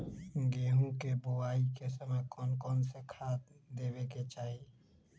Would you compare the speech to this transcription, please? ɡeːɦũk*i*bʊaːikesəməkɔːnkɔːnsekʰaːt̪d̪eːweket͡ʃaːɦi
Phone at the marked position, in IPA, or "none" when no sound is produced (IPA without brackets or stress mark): e